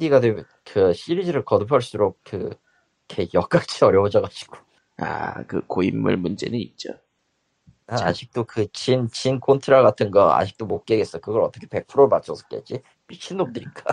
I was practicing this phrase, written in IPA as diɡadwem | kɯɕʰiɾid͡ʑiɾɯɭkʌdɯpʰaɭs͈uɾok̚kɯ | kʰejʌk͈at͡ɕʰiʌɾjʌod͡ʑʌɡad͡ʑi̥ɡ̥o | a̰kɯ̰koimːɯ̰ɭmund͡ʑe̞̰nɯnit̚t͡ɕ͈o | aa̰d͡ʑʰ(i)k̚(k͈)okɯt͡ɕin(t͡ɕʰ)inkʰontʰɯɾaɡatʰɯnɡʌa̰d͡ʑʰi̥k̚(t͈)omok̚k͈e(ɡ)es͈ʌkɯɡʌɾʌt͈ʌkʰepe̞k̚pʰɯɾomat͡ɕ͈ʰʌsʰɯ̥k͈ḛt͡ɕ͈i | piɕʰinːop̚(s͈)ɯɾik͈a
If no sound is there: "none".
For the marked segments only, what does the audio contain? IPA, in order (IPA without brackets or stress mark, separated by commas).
i, t͈, t͡ɕ, t͈, ɡ, t͈